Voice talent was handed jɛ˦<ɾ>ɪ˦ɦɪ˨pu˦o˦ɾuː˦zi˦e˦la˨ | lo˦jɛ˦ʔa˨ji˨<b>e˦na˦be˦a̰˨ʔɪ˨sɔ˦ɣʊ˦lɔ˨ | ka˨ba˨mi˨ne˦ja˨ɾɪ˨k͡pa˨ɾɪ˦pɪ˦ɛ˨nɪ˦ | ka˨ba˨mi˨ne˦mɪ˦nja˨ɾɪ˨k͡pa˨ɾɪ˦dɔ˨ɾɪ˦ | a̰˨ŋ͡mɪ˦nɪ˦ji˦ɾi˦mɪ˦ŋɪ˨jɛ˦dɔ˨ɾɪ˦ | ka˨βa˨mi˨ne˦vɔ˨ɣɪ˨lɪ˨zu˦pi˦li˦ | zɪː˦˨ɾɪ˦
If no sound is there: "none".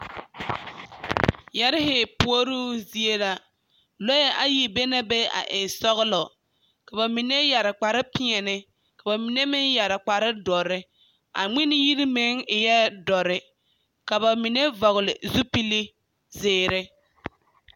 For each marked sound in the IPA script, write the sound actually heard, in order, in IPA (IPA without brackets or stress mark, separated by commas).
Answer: ɾ, b